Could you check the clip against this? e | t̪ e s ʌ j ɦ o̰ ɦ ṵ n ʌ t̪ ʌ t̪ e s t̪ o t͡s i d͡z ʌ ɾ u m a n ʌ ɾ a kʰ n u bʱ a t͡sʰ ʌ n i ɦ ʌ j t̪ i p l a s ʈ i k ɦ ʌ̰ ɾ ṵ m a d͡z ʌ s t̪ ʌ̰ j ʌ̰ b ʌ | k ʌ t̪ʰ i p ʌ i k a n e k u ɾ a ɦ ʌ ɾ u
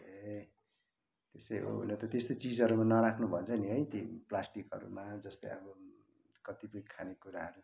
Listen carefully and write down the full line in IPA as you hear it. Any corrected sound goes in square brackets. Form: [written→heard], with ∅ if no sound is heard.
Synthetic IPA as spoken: e | t̪ e s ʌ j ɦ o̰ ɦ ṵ n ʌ t̪ ʌ t̪ e s t̪ o t͡s i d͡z ʌ ɾ u m a n ʌ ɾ a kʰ n u bʱ [a→ʌ] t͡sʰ ʌ n i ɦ ʌ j t̪ i p l a s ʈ i k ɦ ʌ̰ ɾ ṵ m a d͡z ʌ s t̪ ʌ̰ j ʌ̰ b ʌ | k ʌ [t̪ʰ→t̪] i p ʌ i [k→kʰ] a n e k u ɾ a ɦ ʌ ɾ u